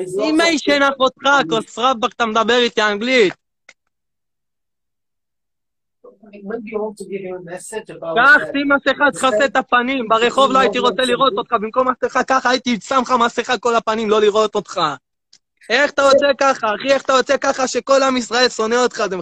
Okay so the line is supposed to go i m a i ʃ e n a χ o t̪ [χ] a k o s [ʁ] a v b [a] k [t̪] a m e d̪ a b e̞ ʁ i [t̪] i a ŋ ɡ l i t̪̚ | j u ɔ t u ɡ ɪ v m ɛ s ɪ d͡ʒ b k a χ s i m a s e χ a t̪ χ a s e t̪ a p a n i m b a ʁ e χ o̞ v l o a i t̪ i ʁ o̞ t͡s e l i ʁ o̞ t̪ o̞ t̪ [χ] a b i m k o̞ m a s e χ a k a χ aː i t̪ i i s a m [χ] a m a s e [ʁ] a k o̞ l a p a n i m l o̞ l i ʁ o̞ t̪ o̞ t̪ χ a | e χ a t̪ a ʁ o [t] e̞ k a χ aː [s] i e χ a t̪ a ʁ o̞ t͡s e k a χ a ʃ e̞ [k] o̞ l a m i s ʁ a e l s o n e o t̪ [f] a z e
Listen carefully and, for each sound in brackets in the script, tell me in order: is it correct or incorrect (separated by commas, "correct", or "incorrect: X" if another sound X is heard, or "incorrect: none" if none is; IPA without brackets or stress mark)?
correct, correct, correct, correct, correct, correct, correct, incorrect: χ, incorrect: t͡s, incorrect: χ, correct, incorrect: χ